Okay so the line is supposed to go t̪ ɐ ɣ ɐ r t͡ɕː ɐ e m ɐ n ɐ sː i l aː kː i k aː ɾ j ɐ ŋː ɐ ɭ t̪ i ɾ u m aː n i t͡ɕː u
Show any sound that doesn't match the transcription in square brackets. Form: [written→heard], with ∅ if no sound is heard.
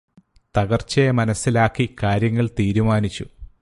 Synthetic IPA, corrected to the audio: t̪ ɐ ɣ ɐ r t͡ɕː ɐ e m ɐ n ɐ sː i l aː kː i k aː ɾ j ɐ ŋː ɐ ɭ t̪ [i→iː] ɾ u m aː n i t͡ɕː u

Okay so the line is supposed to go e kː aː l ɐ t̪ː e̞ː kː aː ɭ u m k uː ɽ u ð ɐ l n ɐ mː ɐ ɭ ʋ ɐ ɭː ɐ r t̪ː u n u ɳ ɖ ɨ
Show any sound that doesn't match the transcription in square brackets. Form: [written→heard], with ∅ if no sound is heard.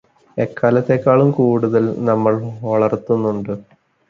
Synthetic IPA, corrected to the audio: e kː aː l ɐ t̪ː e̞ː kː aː ɭ u m k uː ɽ u ð ɐ l n ɐ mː ɐ ɭ ʋ ɐ [ɭː→ɭ] ɐ r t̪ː u [n→nː] u ɳ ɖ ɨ

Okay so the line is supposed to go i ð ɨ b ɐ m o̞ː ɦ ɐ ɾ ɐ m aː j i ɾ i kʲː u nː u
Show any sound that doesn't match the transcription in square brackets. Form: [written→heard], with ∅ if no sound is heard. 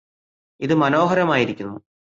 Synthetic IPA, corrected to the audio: i ð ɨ [b→m] ɐ [m→n] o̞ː ɦ ɐ ɾ ɐ m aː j i ɾ i kʲː u nː u

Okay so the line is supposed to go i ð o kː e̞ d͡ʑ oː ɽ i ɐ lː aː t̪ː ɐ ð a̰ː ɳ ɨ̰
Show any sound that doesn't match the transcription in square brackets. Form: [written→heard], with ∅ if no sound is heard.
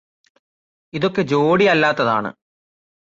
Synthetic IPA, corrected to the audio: i ð o kː e̞ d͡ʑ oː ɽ i ɐ lː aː t̪ː ɐ ð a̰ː ɳ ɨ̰

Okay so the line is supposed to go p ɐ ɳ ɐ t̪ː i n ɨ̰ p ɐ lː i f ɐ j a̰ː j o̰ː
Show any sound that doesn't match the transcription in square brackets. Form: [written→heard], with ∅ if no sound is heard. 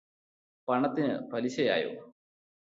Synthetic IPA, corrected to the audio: p ɐ ɳ ɐ t̪ː i n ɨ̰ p ɐ [lː→l] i [f→ɕ] ɐ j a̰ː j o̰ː

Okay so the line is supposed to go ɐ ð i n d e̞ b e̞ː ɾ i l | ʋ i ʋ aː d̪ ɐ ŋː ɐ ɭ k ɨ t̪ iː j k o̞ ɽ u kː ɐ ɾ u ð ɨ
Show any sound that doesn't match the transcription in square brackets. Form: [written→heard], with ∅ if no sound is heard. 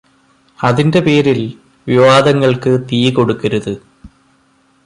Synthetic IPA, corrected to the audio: ɐ ð i n d e̞ [b→p] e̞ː ɾ i l | ʋ i ʋ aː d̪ ɐ ŋː ɐ ɭ k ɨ t̪ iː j k o̞ ɽ u kː ɐ ɾ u ð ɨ

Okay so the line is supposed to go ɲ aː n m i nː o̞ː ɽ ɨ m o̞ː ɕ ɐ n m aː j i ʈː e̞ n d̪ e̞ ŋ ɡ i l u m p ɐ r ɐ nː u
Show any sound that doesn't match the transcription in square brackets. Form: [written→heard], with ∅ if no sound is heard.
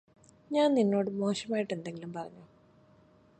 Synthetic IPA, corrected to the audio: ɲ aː n [m→n] i nː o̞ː ɽ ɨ m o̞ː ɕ ɐ [n→∅] m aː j i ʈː e̞ n d̪ e̞ ŋ ɡ i l u m p ɐ r ɐ [nː→ɲː] u

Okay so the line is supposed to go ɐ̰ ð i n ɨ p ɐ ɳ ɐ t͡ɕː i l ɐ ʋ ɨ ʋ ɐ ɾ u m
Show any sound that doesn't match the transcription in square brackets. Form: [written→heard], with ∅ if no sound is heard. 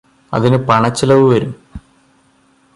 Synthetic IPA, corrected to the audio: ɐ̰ ð i n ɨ p ɐ ɳ ɐ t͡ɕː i l ɐ ʋ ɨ ʋ ɐ ɾ u m

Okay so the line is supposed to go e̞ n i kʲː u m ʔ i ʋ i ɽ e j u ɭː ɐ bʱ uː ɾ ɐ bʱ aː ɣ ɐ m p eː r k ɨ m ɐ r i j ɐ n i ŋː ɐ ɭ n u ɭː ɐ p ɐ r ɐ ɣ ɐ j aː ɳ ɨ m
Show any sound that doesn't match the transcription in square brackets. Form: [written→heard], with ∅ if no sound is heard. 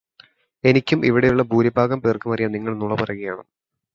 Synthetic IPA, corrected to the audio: e̞ n i kʲː u m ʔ i ʋ i ɽ e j u ɭː ɐ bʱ uː ɾ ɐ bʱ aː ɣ ɐ m p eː r k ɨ m ɐ r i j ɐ n i ŋː ɐ ɭ n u [ɭː→ɭ] ɐ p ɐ r ɐ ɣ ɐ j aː ɳ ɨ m

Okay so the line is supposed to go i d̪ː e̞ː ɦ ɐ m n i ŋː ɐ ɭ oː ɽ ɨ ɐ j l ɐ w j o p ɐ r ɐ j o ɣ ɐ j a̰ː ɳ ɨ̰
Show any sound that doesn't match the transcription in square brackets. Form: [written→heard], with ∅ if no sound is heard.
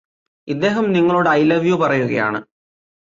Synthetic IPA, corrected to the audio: i d̪ː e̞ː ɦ ɐ m n i ŋː ɐ ɭ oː ɽ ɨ ɐ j l ɐ [w→ʋ] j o p ɐ r ɐ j [o→u] ɣ ɐ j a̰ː ɳ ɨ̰

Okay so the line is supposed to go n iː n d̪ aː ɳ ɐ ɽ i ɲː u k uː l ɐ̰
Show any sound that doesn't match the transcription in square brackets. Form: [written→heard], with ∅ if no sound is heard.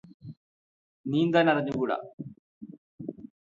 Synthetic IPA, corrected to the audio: n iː n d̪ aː [ɳ→n] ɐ [ɽ→r] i ɲː u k uː [l→ɽ] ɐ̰

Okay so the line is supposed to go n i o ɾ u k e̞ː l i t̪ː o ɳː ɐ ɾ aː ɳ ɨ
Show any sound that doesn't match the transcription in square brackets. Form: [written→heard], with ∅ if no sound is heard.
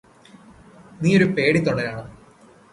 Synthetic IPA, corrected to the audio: n [i→iː] o ɾ u [k→p] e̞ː [l→ɽ] i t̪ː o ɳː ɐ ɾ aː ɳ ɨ

